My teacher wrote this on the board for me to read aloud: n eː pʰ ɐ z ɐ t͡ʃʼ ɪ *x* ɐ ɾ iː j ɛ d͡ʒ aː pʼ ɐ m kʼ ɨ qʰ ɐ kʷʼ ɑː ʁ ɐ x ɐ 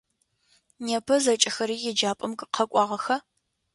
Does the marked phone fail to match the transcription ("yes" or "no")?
no